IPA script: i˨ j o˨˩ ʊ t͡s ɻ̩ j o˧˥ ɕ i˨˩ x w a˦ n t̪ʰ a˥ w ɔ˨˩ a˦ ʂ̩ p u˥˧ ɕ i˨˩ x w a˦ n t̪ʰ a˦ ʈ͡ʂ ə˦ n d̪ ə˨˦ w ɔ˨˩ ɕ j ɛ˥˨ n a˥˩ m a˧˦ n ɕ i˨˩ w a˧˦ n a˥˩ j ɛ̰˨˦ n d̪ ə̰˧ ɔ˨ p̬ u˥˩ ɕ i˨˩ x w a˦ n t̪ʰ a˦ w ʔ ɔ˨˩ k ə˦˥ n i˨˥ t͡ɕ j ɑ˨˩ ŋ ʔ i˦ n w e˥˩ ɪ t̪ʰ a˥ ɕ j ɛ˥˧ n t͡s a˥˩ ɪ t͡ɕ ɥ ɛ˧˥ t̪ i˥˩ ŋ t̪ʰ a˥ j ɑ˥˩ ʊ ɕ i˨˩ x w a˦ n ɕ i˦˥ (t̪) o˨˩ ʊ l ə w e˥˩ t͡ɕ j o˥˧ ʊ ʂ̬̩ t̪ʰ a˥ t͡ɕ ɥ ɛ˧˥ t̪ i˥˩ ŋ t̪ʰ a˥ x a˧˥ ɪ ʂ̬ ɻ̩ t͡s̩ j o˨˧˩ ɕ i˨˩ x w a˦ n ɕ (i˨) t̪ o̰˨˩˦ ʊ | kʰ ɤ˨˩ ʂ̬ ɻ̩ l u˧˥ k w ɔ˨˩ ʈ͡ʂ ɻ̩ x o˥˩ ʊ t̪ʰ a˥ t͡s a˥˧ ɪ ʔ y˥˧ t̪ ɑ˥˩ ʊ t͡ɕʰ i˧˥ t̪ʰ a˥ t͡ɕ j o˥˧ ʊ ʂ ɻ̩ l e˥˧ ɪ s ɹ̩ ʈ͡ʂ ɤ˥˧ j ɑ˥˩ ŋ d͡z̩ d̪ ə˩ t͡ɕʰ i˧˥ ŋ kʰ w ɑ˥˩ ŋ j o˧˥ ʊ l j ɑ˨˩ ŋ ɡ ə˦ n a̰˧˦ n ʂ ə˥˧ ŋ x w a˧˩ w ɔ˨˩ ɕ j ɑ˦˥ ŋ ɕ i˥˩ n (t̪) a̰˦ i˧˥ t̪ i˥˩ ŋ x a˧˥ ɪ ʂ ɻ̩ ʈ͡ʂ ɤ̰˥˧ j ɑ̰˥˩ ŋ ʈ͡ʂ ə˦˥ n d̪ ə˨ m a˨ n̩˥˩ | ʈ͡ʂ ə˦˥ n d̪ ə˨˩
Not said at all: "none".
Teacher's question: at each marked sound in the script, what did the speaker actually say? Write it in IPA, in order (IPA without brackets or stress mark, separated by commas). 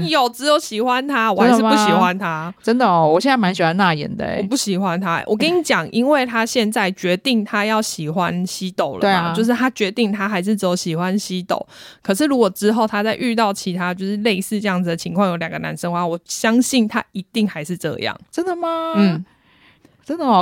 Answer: t̪, i˦, t̪ʰ